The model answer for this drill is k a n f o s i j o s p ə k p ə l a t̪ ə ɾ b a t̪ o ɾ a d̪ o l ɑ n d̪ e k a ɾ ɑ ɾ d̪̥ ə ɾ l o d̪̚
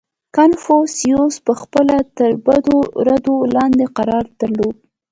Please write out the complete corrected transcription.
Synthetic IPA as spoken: k a n f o s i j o s p ə x p ə l a t̪ ə ɾ b a d̪ o ɾ a d̪ o l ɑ n d̪ e q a ɾ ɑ ɾ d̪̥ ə ɾ l o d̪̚